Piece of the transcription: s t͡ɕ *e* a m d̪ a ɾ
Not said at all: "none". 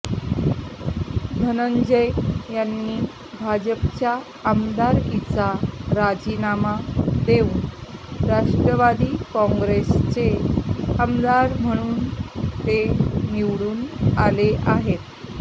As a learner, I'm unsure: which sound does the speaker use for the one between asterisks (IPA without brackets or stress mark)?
e